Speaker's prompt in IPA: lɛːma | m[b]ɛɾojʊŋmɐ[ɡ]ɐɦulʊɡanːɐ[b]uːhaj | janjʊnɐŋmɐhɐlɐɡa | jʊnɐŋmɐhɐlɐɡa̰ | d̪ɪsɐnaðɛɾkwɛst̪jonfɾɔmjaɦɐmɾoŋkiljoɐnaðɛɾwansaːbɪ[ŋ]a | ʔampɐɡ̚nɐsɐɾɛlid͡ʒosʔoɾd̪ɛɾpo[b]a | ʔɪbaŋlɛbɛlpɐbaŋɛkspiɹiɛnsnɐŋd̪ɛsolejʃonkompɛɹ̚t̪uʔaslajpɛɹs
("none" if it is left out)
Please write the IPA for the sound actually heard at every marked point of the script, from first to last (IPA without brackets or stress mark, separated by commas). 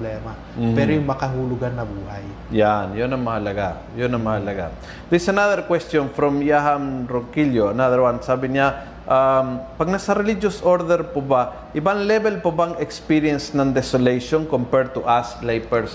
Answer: p, k, b, ɲ, b